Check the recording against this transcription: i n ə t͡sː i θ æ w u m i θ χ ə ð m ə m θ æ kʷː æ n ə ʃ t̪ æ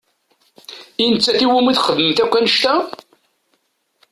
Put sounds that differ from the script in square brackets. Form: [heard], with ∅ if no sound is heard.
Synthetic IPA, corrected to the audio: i n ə t͡sː [æ] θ [i] w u m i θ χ ə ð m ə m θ æ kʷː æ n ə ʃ t̪ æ